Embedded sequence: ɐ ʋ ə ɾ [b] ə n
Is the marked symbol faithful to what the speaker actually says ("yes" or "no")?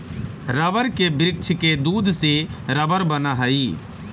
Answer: yes